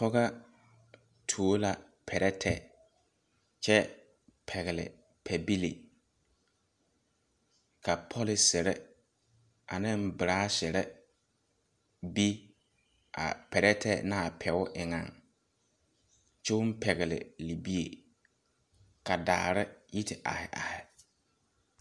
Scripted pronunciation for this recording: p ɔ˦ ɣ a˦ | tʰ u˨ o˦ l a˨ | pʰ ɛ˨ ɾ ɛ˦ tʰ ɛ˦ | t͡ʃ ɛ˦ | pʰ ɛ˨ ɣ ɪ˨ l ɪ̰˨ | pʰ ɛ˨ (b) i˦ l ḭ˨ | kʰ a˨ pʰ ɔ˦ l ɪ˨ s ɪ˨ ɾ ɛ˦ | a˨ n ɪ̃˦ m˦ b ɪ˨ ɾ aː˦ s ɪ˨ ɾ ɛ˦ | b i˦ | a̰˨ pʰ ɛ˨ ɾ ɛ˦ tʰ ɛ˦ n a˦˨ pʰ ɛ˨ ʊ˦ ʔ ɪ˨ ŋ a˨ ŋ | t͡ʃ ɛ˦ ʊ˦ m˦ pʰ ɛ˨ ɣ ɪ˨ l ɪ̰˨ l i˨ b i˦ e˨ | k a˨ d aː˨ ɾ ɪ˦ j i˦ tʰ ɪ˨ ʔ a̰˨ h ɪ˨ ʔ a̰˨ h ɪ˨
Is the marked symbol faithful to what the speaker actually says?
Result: yes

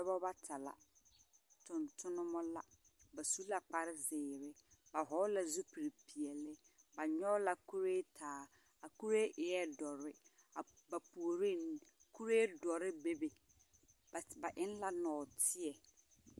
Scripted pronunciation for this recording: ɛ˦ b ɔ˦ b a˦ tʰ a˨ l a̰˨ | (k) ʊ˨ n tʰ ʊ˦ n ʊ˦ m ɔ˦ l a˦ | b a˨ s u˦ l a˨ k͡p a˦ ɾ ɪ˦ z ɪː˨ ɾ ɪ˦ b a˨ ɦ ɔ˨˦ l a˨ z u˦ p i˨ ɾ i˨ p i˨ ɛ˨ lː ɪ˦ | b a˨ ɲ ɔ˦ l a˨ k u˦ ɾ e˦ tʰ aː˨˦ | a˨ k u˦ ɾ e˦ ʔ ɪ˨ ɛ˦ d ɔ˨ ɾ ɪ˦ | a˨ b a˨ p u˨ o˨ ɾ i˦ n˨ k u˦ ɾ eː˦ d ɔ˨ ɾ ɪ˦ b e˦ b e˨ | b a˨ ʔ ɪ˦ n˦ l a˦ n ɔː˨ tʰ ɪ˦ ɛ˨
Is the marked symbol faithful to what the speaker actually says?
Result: no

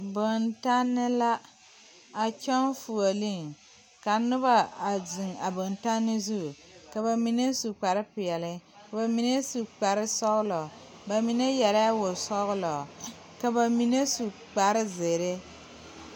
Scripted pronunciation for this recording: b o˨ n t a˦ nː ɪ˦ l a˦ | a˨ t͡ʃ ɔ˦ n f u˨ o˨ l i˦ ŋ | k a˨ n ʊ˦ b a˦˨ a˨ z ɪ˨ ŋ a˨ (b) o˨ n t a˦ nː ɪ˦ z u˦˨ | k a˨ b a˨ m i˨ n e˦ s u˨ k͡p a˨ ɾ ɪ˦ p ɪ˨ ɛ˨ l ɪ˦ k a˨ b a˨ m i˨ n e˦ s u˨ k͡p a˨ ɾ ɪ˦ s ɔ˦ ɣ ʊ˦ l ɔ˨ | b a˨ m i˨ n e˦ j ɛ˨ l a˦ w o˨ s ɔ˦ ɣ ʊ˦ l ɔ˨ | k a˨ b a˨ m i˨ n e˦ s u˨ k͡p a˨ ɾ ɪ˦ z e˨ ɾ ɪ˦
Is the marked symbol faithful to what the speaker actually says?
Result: yes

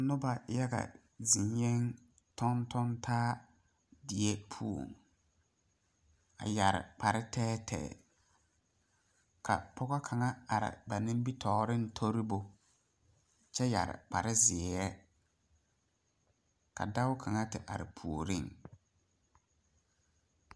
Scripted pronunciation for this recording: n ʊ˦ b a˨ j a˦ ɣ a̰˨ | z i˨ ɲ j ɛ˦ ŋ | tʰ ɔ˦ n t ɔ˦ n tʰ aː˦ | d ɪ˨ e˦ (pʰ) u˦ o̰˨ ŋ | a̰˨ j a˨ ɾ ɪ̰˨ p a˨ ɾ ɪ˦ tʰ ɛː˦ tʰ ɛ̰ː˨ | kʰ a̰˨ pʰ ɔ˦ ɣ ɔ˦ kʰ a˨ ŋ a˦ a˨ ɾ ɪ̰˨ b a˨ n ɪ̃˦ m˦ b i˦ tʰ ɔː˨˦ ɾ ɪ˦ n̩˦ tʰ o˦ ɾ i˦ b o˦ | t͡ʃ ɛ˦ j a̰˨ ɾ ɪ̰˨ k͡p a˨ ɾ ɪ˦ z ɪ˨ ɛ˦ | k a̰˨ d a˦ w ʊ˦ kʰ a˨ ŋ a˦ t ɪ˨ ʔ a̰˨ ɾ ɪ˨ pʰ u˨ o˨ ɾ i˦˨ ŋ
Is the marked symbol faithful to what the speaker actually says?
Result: yes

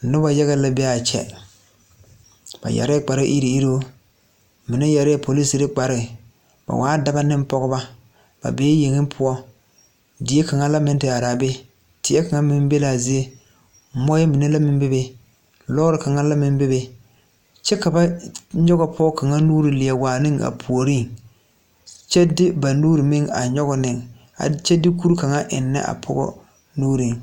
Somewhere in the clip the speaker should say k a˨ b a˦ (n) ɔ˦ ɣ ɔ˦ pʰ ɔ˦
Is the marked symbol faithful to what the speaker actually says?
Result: no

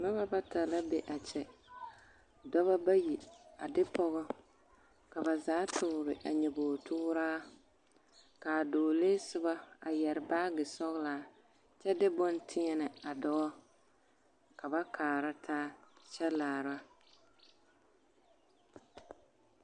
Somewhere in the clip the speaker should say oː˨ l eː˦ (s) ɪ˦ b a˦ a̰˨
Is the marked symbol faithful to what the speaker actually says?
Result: yes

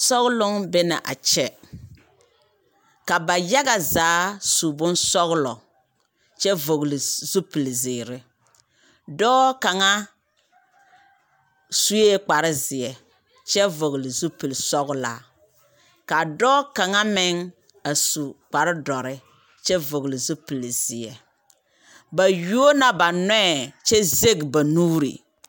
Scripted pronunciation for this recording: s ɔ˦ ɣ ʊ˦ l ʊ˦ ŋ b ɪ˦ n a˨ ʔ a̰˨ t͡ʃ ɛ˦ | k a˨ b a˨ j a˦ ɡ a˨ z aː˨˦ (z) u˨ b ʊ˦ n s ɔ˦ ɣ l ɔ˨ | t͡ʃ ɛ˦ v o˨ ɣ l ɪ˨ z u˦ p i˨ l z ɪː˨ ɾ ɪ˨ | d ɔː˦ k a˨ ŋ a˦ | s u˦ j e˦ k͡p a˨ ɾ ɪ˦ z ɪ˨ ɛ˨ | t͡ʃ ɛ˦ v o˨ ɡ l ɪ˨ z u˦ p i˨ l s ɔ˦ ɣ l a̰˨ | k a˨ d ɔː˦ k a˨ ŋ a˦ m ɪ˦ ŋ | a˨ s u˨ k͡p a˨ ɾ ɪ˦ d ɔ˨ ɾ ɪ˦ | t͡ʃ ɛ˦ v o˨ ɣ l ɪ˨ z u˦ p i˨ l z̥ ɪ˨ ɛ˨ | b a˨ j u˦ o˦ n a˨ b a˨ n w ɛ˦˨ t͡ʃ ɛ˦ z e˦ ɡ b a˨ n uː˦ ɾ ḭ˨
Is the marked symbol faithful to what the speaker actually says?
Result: no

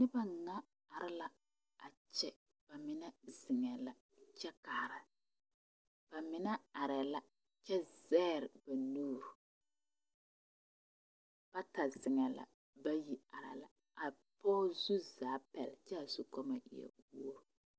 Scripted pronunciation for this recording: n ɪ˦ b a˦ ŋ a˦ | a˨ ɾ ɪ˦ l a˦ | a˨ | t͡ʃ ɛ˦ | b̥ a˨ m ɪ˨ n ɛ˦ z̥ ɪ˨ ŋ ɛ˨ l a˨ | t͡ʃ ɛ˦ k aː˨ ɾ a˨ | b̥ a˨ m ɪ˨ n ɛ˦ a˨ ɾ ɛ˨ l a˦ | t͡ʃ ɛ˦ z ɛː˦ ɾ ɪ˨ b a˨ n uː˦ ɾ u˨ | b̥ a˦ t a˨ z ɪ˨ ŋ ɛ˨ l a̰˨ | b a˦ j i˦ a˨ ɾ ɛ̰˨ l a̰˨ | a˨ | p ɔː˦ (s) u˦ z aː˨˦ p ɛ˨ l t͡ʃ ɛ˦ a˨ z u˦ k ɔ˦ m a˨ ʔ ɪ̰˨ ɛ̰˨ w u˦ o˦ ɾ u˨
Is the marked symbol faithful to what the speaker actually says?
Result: no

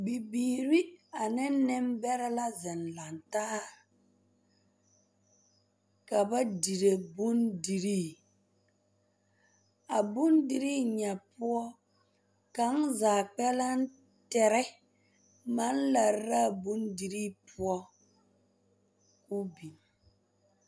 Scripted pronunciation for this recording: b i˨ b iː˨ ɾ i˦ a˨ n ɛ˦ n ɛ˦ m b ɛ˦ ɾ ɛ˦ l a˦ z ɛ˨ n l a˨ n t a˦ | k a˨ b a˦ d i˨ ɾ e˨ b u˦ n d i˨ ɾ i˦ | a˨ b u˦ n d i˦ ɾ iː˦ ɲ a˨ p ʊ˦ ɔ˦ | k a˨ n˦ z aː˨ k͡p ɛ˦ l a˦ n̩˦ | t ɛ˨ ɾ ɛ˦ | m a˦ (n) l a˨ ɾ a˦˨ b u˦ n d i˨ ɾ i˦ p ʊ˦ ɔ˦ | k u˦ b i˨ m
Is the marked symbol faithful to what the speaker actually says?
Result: yes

